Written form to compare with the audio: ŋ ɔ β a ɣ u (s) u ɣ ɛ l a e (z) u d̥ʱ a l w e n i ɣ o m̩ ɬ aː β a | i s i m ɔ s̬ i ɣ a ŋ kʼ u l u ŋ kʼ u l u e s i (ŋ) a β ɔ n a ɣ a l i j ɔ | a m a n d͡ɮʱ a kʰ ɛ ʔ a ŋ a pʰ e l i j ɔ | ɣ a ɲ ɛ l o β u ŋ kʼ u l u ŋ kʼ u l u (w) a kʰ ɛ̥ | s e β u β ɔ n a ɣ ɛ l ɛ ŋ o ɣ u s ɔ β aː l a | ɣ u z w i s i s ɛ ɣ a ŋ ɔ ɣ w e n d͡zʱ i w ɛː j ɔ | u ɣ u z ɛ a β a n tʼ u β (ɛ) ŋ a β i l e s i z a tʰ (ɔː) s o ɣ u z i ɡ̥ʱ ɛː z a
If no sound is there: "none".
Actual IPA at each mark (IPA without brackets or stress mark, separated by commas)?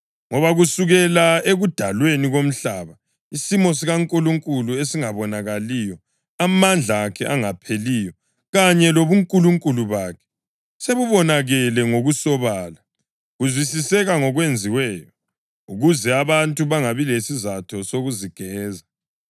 s, ɣ, ŋ, β, a, ɔ